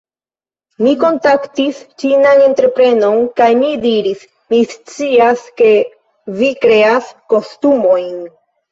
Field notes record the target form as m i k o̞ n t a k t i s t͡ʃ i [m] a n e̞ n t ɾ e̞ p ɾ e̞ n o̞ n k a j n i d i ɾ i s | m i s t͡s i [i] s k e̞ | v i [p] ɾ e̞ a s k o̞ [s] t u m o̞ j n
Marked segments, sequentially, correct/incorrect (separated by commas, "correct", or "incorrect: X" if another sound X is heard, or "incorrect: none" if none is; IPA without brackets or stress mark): incorrect: n, incorrect: a, incorrect: k, correct